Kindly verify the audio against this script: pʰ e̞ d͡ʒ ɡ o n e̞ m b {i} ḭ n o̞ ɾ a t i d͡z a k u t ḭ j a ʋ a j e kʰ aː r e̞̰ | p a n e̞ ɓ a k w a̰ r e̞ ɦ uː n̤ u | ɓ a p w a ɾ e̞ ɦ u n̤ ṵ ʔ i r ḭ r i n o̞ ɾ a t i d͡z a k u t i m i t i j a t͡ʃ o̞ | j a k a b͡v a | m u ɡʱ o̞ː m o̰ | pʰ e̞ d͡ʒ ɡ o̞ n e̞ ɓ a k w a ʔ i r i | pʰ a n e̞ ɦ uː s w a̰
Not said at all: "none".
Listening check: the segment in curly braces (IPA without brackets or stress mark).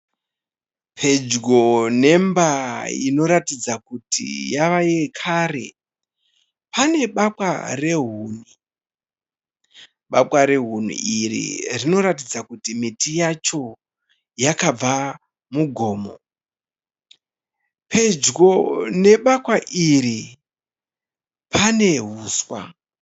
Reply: a